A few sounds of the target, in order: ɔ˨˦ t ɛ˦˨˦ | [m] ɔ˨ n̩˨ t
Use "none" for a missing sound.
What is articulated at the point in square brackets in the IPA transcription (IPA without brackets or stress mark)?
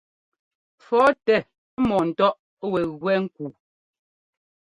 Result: m